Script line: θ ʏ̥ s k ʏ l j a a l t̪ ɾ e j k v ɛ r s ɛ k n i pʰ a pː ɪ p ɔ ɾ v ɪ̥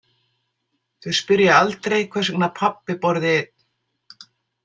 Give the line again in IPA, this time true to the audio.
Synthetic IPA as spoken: θ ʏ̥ s p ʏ ɾ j a a l t̪ ɾ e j kʰ v ɛ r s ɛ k n a pʰ a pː ɪ p ɔ ɾ ð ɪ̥